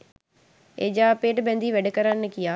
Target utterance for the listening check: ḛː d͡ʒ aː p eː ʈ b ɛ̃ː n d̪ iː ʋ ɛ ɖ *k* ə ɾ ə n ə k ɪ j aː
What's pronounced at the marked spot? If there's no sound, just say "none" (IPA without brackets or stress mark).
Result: k